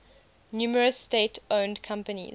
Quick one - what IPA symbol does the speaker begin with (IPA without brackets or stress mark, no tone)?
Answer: n